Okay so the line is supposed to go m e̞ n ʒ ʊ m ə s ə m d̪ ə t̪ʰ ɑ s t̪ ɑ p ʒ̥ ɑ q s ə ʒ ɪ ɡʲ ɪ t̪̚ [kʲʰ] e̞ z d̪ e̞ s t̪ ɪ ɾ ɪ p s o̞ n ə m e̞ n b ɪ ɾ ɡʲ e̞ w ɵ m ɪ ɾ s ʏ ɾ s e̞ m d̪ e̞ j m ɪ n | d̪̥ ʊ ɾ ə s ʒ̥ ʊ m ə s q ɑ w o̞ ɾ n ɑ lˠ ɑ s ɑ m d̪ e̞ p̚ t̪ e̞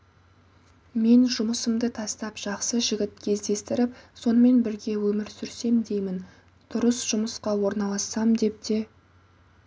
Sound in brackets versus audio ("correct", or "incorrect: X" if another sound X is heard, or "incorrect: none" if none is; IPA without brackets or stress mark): correct